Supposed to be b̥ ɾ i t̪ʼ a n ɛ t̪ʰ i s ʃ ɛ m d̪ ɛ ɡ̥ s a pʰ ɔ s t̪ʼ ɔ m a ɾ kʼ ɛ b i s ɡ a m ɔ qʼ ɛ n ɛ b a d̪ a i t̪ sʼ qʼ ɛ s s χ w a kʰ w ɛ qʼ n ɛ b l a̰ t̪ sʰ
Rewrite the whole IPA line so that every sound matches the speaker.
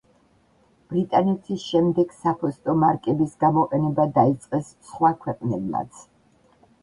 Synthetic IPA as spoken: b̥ ɾ i t̪ʼ a n ɛ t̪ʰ i s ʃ ɛ m d̪ ɛ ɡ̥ s a pʰ ɔ s t̪ʼ ɔ m a ɾ kʼ ɛ b i s ɡ a m ɔ qʼ ɛ n ɛ b a d̪ a i t̪ sʼ qʼ ɛ s s χ w a kʰ w ɛ qʼ n ɛ b l a̰ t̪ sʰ